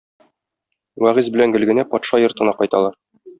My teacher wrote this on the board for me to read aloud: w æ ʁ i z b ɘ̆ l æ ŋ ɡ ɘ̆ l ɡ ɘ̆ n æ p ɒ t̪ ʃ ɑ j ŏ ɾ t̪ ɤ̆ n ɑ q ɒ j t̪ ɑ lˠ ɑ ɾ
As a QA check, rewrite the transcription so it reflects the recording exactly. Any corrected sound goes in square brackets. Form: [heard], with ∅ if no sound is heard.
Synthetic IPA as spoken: w æ ʁ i z b ɘ̆ l æ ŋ ɡ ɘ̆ l ɡ ɘ̆ n æ p ɒ t̪ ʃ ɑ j ŏ ɾ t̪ ɤ̆ n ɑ q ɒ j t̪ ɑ lˠ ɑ ɾ